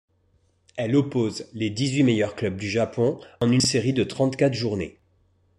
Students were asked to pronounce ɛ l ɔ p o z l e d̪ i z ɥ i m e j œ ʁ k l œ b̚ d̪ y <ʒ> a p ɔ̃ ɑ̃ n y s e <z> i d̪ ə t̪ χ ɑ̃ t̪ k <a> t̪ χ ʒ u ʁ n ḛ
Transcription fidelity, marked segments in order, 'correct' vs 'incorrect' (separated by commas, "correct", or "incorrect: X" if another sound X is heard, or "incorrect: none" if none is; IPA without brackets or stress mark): correct, incorrect: ʁ, correct